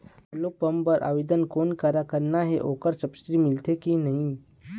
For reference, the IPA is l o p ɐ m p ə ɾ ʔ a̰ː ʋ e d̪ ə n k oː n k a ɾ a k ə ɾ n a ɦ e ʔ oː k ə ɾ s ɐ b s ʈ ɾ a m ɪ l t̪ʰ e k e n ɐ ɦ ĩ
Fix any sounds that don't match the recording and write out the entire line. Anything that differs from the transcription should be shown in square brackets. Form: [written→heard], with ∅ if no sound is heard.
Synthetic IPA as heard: l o p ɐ m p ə ɾ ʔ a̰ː ʋ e d̪ ə n k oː n k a ɾ a k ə ɾ n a ɦ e ʔ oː k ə ɾ s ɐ b s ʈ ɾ [a→i] m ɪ l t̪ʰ e k [e→i] n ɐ ɦ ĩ